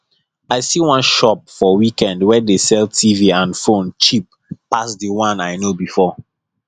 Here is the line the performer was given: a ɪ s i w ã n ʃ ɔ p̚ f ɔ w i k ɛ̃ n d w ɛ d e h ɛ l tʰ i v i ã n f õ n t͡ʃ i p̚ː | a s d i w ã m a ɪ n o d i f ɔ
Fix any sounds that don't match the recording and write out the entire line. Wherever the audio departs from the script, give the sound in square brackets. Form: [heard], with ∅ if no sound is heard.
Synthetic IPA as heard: a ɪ s i w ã n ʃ ɔ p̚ f ɔ w i k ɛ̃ n d w ɛ d e [s] ɛ l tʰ i v i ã n f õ n t͡ʃ i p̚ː | a s d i w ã [n] a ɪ n o [b] i f ɔ